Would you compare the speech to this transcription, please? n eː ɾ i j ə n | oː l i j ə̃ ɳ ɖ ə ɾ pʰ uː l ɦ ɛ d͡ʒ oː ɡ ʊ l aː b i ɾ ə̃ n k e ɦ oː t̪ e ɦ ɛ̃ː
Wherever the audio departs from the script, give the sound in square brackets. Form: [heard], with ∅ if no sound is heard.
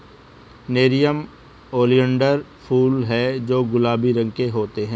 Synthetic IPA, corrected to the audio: n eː ɾ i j ə [m] | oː l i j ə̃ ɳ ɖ ə ɾ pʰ uː l ɦ ɛ d͡ʒ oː ɡ ʊ l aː b i ɾ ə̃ [ŋ] k e ɦ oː t̪ e ɦ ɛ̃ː